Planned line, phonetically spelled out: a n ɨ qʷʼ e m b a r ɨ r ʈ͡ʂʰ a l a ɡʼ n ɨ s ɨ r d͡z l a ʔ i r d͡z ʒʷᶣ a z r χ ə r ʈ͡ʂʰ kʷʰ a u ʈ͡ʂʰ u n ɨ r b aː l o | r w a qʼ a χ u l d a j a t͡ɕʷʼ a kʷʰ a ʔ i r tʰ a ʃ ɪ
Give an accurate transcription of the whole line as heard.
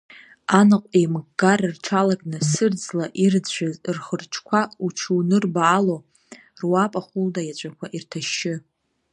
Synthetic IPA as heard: a n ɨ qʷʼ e m ɡ a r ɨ r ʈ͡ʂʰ a l a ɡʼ n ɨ s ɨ r d͡z l a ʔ i r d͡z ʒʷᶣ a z r χ ə r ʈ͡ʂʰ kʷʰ a u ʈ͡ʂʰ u n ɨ r b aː l o | r w a pʼ a χ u l d a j a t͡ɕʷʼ a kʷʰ a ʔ i r tʰ a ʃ ɪ